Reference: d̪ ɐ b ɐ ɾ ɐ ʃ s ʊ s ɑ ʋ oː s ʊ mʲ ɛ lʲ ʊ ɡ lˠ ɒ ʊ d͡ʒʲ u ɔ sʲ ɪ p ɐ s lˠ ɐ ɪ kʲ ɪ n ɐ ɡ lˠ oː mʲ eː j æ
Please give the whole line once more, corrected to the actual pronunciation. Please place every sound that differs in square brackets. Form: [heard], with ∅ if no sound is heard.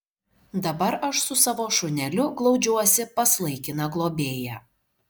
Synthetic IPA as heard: d̪ ɐ b ɐ ɾ ɐ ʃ s ʊ s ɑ ʋ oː [ʃ] ʊ [nʲ] ɛ lʲ ʊ ɡ lˠ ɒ ʊ d͡ʒʲ u ɔ sʲ ɪ p ɐ s lˠ ɐ ɪ kʲ ɪ n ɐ ɡ lˠ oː [bʲ] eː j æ